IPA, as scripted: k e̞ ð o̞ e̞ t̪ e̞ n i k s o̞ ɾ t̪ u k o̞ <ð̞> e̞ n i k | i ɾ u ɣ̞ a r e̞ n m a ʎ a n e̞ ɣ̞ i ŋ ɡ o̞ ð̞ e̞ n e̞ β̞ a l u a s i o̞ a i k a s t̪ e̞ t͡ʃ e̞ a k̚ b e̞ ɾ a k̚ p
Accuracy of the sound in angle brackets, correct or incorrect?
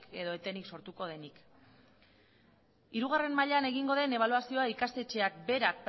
correct